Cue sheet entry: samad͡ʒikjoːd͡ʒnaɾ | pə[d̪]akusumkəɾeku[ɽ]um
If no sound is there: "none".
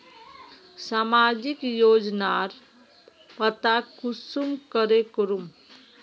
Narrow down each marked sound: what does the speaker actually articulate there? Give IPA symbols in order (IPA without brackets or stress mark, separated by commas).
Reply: t̪, ɾ